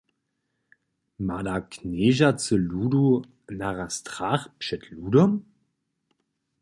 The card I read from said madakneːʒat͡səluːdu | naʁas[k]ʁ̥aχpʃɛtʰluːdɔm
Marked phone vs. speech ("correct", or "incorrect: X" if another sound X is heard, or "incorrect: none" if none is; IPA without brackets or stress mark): incorrect: t